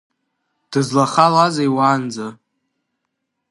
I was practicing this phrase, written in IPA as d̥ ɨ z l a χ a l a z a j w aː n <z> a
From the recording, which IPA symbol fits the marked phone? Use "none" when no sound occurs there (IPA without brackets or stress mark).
d͡z